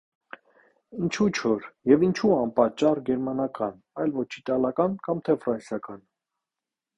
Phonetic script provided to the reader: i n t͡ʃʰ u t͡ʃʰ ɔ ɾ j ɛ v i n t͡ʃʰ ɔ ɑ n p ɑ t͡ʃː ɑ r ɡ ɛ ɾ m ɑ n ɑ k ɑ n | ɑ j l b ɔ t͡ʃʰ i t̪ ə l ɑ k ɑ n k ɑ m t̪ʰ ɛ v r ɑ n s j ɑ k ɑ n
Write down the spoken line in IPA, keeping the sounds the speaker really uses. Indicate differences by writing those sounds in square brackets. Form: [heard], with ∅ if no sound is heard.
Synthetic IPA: i n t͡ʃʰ u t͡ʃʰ ɔ ɾ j ɛ v i n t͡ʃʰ [u] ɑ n p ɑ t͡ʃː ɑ r ɡ ɛ ɾ m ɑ n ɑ k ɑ n | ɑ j l [v] ɔ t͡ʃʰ i t̪ [ɑ] l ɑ k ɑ n k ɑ m t̪ʰ ɛ [f] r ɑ n s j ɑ k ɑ n

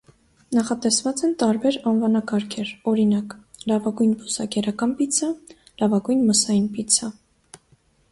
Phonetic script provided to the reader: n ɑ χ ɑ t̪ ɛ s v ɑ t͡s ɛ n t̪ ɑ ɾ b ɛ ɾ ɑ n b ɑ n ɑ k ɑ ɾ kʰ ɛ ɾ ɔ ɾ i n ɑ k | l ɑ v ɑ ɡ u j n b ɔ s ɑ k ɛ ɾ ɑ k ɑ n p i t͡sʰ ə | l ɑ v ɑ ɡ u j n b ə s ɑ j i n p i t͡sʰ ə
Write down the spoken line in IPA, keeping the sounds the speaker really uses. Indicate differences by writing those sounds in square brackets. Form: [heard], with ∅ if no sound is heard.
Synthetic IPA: n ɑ χ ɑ t̪ ɛ s v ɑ t͡s ɛ n t̪ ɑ ɾ b ɛ ɾ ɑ n [v] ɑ n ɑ k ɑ ɾ kʰ ɛ ɾ ɔ ɾ i n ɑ k | l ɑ v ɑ ɡ u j n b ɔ s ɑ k ɛ ɾ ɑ k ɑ n p i t͡sʰ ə | l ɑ v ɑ ɡ u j n [m] ə s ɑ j i n p i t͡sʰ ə

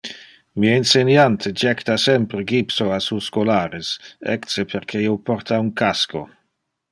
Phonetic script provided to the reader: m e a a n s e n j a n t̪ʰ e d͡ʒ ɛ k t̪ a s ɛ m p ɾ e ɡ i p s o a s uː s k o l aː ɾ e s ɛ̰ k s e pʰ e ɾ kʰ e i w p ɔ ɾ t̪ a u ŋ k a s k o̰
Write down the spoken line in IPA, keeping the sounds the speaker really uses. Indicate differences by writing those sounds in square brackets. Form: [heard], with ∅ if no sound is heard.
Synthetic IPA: m [i] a [i] n s e n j a n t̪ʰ e d͡ʒ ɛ k t̪ a s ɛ m p ɾ e ɡ i p s o a s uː s k o l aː ɾ e s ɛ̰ k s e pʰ e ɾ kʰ e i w p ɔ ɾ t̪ a u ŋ k a s k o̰

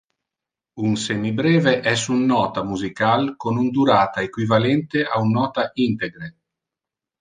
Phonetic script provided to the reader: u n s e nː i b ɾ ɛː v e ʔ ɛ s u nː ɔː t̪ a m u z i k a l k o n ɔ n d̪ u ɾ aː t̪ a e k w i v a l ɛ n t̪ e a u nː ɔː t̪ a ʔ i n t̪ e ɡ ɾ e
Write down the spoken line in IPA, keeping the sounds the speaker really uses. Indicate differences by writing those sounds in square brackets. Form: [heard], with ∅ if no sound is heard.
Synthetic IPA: u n s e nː i b ɾ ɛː v e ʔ ɛ s u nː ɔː t̪ a m u z i k a l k o n [u] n d̪ u ɾ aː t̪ a e k w i v a l ɛ n t̪ e a u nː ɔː t̪ a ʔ i n t̪ e ɡ ɾ e

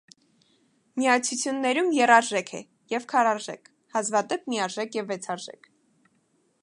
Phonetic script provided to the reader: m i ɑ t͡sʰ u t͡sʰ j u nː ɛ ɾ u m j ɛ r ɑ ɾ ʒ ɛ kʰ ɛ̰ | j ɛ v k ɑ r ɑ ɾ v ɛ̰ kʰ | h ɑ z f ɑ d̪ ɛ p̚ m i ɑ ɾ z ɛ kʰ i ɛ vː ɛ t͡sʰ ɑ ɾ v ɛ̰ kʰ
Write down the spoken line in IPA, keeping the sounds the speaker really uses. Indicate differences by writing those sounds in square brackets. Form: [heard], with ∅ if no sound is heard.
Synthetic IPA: m i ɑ t͡sʰ u t͡sʰ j u nː ɛ ɾ u m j ɛ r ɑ ɾ ʒ ɛ kʰ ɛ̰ | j ɛ v [kʰ] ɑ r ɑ ɾ [ʒ] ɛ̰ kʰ | h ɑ z [v] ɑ d̪ ɛ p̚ m i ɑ ɾ [ʒ] ɛ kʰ [j] ɛ vː ɛ t͡sʰ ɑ ɾ [ʒ] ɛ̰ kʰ

